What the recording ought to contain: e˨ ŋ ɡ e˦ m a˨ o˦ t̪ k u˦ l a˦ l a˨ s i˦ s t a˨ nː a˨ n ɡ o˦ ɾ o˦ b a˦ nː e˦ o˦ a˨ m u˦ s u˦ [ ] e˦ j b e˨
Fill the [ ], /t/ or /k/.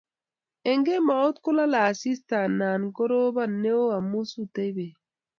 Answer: t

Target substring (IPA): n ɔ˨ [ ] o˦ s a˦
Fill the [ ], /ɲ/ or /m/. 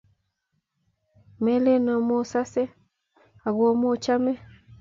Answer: m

